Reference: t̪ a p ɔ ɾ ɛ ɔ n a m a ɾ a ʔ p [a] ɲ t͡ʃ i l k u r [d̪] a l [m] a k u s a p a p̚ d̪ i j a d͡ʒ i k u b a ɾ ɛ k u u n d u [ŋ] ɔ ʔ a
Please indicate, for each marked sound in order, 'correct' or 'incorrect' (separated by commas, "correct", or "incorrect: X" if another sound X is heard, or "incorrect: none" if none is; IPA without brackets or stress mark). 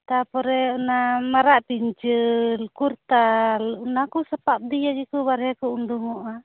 incorrect: i, incorrect: t̪, incorrect: n, correct